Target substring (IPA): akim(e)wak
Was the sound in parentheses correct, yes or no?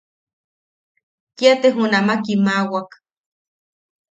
no